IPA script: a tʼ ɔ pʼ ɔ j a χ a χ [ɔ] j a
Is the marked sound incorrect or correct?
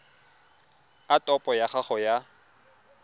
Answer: correct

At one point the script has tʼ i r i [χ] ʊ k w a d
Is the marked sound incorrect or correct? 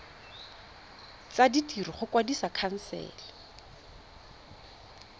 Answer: correct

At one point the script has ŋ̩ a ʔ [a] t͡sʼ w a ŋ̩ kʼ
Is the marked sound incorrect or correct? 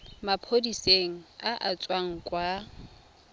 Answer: correct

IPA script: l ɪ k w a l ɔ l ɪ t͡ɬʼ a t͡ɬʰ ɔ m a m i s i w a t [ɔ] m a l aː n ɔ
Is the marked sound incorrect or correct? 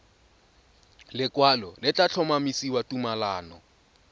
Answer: incorrect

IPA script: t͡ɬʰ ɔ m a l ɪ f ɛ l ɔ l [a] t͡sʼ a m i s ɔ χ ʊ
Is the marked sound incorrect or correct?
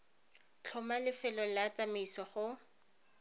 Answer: correct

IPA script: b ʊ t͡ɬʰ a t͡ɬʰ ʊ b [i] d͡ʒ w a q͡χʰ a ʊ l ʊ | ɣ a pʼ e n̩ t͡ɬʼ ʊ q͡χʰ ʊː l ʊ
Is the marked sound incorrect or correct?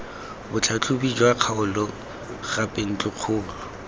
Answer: correct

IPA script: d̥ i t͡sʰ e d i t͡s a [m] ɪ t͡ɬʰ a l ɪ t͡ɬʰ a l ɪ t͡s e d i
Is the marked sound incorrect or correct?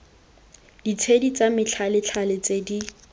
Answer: correct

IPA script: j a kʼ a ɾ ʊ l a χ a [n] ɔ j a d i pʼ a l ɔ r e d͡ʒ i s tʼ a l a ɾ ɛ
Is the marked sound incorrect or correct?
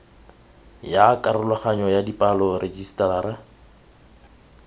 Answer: incorrect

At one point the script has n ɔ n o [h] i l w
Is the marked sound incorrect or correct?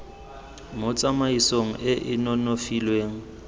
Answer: incorrect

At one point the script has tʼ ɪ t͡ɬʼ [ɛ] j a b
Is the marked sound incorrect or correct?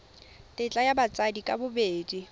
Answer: incorrect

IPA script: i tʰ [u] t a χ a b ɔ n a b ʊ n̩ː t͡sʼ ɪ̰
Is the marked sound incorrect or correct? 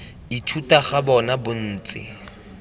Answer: correct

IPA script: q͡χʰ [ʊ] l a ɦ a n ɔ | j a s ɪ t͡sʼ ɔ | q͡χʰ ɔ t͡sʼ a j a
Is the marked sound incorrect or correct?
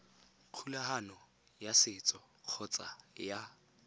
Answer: incorrect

